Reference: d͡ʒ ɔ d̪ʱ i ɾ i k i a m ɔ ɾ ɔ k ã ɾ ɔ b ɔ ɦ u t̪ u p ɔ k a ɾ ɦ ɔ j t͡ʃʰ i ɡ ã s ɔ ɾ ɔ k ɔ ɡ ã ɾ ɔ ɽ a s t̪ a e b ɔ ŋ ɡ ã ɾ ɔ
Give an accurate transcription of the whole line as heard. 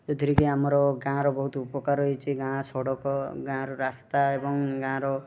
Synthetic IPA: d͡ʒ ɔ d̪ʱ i ɾ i k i a m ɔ ɾ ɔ ɡ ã ɾ ɔ b ɔ ɦ u t̪ u p ɔ k a ɾ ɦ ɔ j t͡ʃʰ i ɡ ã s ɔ ɽ ɔ k ɔ ɡ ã ɾ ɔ ɾ a s t̪ a e b ɔ ŋ ɡ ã ɾ ɔ